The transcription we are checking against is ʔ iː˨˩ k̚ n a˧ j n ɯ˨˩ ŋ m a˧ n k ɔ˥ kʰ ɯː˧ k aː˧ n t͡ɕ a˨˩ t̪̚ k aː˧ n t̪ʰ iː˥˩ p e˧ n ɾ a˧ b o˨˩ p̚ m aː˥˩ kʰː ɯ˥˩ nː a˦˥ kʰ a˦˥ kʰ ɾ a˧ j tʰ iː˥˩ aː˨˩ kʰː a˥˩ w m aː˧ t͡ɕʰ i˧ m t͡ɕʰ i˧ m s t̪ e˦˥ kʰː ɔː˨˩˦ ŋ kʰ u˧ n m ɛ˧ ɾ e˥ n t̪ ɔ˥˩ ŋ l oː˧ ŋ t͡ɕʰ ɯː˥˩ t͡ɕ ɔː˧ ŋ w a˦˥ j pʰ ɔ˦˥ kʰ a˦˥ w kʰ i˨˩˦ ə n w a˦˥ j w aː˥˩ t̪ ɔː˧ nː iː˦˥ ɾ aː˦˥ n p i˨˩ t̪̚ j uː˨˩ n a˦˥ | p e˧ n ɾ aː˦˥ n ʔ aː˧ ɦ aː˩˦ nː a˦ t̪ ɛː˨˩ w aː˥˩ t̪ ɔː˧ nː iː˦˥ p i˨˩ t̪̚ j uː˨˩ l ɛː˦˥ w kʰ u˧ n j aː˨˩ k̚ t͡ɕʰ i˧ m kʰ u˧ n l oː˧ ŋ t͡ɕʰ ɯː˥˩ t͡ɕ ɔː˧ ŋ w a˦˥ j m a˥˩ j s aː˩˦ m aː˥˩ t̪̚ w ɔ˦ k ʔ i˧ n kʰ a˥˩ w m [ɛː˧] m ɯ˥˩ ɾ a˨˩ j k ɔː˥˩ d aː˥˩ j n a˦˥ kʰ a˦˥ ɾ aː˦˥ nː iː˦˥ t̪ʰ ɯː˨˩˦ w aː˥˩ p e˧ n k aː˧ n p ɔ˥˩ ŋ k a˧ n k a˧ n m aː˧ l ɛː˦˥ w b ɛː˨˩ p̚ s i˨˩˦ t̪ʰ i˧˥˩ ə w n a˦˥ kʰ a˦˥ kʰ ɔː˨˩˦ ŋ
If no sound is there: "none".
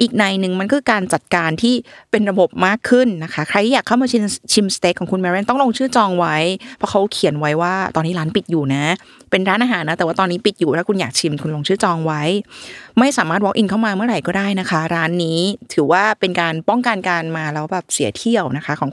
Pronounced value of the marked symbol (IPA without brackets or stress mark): aː˧